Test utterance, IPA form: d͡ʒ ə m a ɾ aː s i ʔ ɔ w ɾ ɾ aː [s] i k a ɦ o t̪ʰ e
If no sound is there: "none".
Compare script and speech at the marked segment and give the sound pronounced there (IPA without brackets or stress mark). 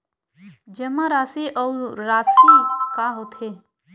s